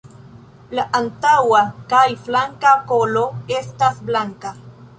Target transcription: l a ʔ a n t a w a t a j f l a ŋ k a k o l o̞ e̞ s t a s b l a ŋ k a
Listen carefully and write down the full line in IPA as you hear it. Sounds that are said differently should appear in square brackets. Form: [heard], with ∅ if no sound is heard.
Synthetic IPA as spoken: l a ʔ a n t a w a [k] a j f l a ŋ k a k o l o̞ e̞ s t a s b l a ŋ k a